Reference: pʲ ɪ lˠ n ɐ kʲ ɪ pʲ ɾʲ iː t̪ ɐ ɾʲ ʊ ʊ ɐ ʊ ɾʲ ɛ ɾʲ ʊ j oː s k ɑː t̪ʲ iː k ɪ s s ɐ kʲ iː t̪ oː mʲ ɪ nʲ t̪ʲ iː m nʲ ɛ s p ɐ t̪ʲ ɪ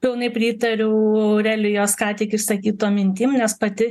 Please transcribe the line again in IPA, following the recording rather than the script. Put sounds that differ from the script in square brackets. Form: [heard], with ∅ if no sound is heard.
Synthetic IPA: pʲ ɪ lˠ n ɐ [∅] ɪ pʲ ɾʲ iː t̪ ɐ ɾʲ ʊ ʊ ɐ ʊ ɾʲ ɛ [lʲ] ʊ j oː s k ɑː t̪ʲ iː k ɪ [ʃ] s ɐ kʲ iː t̪ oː mʲ ɪ nʲ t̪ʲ iː m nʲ ɛ s p ɐ t̪ʲ ɪ

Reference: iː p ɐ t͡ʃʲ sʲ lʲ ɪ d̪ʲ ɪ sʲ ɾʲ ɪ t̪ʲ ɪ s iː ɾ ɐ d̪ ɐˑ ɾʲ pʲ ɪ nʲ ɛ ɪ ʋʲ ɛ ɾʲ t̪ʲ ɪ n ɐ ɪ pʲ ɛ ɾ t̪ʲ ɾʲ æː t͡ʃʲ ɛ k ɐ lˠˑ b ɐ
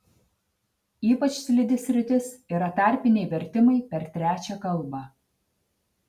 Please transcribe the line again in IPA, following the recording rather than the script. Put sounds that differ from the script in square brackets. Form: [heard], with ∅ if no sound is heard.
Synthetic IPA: iː p ɐ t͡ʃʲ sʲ lʲ ɪ d̪ʲ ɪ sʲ ɾʲ ɪ t̪ʲ ɪ s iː ɾ ɐ [t̪] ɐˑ ɾʲ pʲ ɪ nʲ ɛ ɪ ʋʲ ɛ ɾʲ t̪ʲ ɪ [m] ɐ ɪ pʲ ɛ ɾ t̪ʲ ɾʲ æː t͡ʃʲ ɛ k ɐ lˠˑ b ɐ

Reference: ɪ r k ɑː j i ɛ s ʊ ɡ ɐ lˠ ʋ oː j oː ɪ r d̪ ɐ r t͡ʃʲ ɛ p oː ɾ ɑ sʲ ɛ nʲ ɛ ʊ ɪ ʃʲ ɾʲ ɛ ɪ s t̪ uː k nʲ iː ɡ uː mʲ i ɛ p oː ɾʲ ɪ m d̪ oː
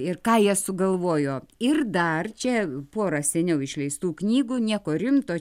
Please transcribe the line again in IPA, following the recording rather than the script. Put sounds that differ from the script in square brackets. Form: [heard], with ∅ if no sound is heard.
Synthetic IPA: ɪ r k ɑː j i ɛ s ʊ ɡ ɐ lˠ ʋ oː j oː ɪ r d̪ ɐ r t͡ʃʲ ɛ p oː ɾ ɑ sʲ ɛ nʲ ɛ ʊ ɪ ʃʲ [lʲ] ɛ ɪ s t̪ uː k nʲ iː ɡ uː [nʲ] i ɛ [k] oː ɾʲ ɪ m [t̪] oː

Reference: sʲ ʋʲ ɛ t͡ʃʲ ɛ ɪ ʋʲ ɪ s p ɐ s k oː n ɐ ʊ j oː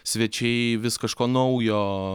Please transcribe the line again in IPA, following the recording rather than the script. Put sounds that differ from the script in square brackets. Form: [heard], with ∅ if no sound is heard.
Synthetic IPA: sʲ ʋʲ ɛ t͡ʃʲ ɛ ɪ ʋʲ ɪ s [k] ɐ [ʃ] k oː n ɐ ʊ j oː

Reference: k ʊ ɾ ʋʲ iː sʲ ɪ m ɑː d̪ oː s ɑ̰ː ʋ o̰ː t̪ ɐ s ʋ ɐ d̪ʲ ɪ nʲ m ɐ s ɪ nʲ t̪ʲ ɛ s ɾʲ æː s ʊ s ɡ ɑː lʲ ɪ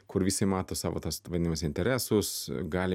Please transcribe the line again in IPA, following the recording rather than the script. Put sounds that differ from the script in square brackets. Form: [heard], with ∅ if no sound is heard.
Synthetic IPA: k ʊ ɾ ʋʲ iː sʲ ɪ m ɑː [t̪] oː s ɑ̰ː ʋ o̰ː t̪ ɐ s ʋ ɐ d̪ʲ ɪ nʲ m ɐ s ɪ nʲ t̪ʲ ɛ [∅] ɾʲ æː s ʊ s ɡ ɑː lʲ ɪ

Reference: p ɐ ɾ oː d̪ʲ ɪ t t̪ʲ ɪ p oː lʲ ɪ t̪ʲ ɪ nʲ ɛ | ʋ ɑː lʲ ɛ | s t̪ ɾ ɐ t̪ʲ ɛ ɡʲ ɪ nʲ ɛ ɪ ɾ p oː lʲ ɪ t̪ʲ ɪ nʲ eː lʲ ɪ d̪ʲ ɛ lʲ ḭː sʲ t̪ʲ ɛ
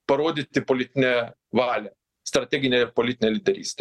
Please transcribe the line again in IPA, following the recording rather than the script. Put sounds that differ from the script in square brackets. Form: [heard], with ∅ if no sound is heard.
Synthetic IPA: p ɐ ɾ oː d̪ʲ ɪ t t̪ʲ ɪ p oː lʲ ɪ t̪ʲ ɪ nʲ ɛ | ʋ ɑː lʲ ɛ | s t̪ ɾ ɐ t̪ʲ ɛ ɡʲ ɪ nʲ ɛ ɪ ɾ p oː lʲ ɪ t̪ʲ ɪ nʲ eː lʲ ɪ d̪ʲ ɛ [ɾʲ] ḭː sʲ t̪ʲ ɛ

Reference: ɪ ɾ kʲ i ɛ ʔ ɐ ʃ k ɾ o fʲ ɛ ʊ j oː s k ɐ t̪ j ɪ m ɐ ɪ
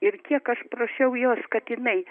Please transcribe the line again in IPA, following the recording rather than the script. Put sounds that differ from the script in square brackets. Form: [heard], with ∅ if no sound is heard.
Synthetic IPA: ɪ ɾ kʲ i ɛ [k] ɐ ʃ [p] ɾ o [ʃʲ] ɛ ʊ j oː s k ɐ t̪ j ɪ [n] ɐ ɪ

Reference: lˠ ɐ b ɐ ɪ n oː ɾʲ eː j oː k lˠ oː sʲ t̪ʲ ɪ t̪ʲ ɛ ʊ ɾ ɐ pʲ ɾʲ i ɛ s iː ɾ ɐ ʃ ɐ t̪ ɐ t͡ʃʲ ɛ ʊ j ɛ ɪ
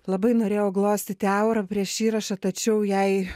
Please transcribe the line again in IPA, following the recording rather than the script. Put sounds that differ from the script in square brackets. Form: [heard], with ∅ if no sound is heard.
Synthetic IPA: lˠ ɐ b ɐ ɪ n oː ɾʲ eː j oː [ɡ] lˠ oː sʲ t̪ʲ ɪ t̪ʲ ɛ ʊ ɾ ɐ pʲ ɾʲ i ɛ [ʃ] iː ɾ ɐ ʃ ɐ t̪ ɐ t͡ʃʲ ɛ ʊ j ɛ ɪ

